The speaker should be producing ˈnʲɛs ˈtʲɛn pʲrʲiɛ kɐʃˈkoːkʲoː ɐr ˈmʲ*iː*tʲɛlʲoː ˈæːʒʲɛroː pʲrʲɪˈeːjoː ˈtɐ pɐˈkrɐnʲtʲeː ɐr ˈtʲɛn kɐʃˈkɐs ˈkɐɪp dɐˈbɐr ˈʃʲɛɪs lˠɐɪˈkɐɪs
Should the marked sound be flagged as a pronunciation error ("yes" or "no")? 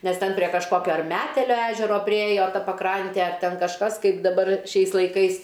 yes